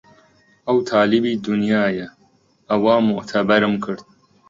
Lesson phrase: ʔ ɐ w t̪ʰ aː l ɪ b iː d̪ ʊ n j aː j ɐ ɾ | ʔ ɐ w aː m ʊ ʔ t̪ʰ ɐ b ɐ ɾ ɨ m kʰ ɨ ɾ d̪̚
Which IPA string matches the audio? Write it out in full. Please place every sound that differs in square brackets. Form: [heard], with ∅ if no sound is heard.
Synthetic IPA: ʔ ɐ w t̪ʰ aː l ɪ b iː d̪ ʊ n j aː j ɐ [∅] | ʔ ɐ w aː m ʊ ʔ t̪ʰ ɐ b ɐ ɾ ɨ m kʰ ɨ ɾ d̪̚